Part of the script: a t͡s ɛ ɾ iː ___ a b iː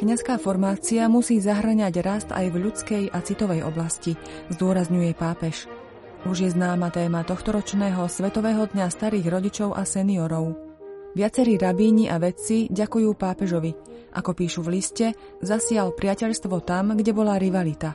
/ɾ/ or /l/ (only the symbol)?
ɾ